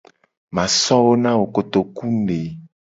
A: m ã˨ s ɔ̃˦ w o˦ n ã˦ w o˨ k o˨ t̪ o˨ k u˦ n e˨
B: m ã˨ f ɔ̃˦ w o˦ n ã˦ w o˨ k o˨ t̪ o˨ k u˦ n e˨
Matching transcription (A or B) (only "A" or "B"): A